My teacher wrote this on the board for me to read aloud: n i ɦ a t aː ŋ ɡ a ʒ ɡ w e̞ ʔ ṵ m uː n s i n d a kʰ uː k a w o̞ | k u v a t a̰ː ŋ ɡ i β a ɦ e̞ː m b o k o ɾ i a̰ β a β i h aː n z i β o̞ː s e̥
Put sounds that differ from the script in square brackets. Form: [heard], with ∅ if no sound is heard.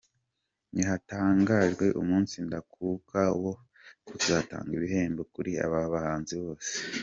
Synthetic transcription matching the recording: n i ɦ a t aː ŋ ɡ a ʒ ɡ w e̞ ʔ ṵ m uː n s i n d a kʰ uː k a w o̞ | k u [z] a t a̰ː ŋ ɡ i β [i] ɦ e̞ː m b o k [u] ɾ i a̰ β a β [a] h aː n z i β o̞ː s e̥

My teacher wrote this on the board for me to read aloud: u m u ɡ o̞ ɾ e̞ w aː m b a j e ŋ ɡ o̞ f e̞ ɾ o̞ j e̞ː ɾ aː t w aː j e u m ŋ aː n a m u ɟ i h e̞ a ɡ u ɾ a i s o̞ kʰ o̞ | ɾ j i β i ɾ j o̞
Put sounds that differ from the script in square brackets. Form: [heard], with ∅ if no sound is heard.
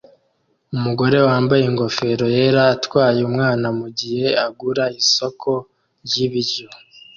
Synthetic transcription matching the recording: u m u ɡ o̞ ɾ e̞ w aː m b a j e ŋ ɡ o̞ f e̞ ɾ o̞ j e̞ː ɾ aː t w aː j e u m ŋ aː n a m u ɟ i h e̞ a ɡ u ɾ a i s o̞ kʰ o̞ | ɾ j i β i ɾ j o̞

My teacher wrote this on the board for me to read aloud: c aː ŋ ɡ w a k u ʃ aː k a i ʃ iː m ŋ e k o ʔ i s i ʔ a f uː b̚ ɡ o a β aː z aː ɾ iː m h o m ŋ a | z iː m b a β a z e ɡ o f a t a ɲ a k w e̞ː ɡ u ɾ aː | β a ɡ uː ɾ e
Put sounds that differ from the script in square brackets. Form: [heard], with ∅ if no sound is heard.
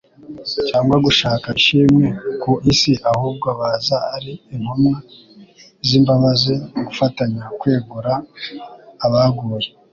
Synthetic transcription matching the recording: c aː ŋ ɡ w a [ɡ] u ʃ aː k a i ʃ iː m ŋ e k o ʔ i s i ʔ a [h] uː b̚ ɡ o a β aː z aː ɾ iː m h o m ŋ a | z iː m b a β a z e ɡ [u] f a t a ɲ a k w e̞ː ɡ u ɾ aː | β a ɡ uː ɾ e

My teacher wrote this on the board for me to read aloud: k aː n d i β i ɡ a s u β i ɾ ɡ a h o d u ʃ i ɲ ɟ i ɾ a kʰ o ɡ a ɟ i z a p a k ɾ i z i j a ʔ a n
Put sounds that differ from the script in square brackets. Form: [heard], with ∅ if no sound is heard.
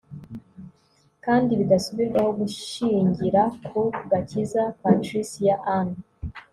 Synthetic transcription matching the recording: k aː n d i β i ɡ a s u β i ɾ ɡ a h o [ɡ] u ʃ i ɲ ɟ i ɾ a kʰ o ɡ a [c] i z a p a [t] ɾ i [s] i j a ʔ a n

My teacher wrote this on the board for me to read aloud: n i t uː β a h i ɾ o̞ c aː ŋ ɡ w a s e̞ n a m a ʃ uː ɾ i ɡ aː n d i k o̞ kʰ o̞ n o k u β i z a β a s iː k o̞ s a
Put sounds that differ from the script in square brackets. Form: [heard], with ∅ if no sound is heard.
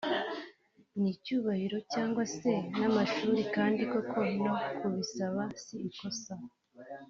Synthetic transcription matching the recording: n i [c] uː β a h i ɾ o̞ c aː ŋ ɡ w a s e̞ n a m a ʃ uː ɾ i [k] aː n d i k o̞ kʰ o̞ n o k u β i [s] a β a s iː k o̞ s a

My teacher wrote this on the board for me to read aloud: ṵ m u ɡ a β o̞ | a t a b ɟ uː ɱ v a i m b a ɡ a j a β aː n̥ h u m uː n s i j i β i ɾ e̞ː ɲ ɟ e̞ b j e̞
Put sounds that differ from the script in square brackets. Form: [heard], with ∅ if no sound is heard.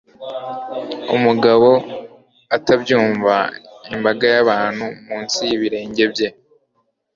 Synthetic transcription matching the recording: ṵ m u ɡ a β o̞ | a t a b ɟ uː ɱ v a i m b a ɡ a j a β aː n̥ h u m uː n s i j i β i ɾ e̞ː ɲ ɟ e̞ b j e̞

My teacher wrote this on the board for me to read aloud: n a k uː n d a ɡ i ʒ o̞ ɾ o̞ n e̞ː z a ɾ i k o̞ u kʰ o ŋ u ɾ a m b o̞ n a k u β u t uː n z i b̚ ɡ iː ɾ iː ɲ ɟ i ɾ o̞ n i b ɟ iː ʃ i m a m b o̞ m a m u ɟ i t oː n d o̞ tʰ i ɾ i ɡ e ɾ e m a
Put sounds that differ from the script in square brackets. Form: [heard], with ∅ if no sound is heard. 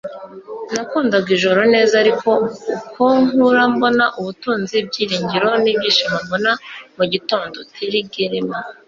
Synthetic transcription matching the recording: n a k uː n d a ɡ i ʒ o̞ ɾ o̞ n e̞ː z a ɾ i k o̞ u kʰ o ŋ u ɾ a m b o̞ n a [ʔ] u β u t uː n z i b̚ [ɟ] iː ɾ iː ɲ ɟ i ɾ o̞ n i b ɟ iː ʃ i m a m b o̞ [n] a m u ɟ i t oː n d o̞ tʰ i ɾ i ɡ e ɾ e m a

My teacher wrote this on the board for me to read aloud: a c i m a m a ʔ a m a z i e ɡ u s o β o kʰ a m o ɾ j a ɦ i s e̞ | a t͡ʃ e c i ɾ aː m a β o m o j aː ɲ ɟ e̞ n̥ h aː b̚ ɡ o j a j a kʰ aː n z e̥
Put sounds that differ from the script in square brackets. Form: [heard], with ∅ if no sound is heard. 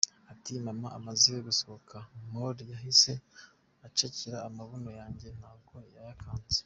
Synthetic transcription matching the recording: a [t] i m a m a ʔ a m a z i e ɡ u s o β o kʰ a m o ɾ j a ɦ i s e̞ | a t͡ʃ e c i ɾ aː m a β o [n] o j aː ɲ ɟ e̞ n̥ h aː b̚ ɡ o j a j a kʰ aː n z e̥

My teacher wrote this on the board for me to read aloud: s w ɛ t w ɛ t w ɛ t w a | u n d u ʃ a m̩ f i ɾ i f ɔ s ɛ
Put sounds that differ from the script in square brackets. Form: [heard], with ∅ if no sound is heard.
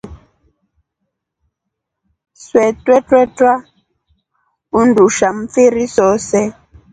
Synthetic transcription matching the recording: s w ɛ t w ɛ t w ɛ t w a | u n d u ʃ a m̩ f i ɾ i [s] ɔ s ɛ

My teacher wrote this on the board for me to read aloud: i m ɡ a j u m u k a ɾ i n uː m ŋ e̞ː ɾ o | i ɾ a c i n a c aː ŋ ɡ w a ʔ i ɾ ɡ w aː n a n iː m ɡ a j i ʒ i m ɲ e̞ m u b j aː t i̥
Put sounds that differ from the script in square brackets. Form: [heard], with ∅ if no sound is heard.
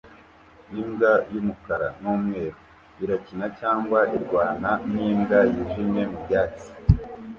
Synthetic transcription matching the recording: i m ɡ a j u m u k a ɾ [a] n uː m ŋ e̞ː ɾ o | i ɾ a c i n a c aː ŋ ɡ w a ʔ i ɾ ɡ w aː n a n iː m ɡ a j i ʒ i m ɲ e̞ m u b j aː [t͡s] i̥

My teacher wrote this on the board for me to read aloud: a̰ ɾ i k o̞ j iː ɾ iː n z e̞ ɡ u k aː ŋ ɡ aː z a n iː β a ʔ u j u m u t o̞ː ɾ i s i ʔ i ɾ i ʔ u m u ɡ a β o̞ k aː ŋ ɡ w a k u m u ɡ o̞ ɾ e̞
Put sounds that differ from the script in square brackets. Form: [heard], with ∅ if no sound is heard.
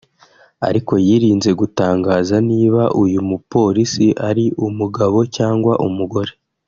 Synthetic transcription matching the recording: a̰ ɾ i k o̞ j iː ɾ iː n z e̞ ɡ u [t] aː ŋ ɡ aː z a n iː β a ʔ u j u m u [p] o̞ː ɾ i s i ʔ [a] ɾ i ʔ u m u ɡ a β o̞ [c] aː ŋ ɡ w a [ʔ] u m u ɡ o̞ ɾ e̞

